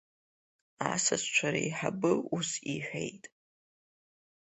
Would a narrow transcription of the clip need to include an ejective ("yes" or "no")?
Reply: yes